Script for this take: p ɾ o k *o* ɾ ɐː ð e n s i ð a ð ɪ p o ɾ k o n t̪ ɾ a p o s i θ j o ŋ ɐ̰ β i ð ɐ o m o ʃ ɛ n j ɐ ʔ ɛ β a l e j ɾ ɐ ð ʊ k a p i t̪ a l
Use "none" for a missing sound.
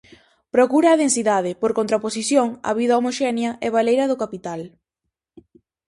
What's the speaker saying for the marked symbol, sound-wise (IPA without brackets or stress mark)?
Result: u